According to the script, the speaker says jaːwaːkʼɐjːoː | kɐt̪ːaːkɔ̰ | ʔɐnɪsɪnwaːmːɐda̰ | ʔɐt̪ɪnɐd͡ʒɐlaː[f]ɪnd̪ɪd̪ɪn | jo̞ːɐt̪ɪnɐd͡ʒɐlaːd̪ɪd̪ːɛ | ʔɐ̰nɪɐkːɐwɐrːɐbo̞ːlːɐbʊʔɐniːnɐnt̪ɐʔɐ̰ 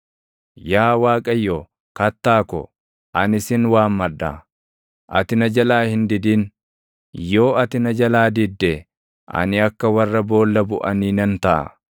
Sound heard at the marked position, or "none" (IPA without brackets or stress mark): h